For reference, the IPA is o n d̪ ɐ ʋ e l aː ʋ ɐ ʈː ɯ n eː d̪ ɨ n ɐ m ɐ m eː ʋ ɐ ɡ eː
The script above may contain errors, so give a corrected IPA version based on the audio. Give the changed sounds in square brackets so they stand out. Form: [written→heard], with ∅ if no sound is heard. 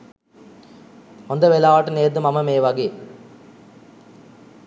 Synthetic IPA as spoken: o n d̪ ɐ ʋ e l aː ʋ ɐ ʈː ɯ n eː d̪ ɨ [n→m] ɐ m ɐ m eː ʋ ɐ ɡ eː